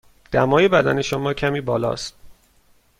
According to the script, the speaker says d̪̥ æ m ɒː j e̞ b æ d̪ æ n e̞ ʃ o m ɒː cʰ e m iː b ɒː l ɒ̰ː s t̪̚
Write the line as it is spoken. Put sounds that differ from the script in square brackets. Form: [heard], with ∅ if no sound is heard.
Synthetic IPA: d̪̥ æ m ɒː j e̞ b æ d̪ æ n e̞ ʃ o m ɒː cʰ [æ] m iː b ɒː l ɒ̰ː s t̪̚